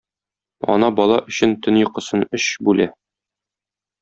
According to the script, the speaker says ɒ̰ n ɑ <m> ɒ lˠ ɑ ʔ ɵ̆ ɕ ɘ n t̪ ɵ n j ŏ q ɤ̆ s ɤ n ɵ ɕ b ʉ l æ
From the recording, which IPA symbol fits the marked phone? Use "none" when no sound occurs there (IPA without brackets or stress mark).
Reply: b